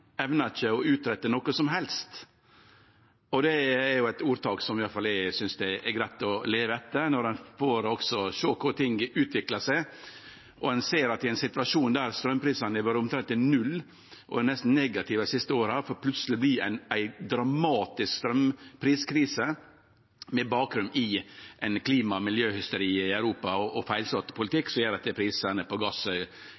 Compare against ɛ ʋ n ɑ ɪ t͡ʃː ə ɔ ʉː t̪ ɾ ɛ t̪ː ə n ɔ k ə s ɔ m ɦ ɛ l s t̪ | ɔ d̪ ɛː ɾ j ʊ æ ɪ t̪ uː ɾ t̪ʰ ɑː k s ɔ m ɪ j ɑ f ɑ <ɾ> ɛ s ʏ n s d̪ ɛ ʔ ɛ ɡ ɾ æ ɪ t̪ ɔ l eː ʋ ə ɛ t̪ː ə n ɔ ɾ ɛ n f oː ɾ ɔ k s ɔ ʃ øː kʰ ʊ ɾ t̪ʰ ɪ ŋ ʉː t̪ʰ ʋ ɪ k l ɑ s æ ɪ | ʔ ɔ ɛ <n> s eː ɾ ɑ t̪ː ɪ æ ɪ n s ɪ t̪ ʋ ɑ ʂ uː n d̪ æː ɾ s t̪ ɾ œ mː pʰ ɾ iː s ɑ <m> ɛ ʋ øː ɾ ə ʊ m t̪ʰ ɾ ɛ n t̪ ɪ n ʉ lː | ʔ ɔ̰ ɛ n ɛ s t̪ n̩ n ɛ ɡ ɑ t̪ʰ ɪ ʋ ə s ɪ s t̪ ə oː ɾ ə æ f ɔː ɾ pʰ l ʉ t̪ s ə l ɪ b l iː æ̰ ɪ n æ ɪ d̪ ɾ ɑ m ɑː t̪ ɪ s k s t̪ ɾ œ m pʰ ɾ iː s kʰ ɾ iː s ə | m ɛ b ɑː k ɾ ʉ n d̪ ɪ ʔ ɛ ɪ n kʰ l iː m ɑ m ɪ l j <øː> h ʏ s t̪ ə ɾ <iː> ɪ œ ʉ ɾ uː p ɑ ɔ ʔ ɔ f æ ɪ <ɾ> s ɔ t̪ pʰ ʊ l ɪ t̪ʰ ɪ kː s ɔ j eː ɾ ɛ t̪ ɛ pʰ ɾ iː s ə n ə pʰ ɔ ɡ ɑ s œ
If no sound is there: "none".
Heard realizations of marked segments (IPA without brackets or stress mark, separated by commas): l, n, n, øː, iː, l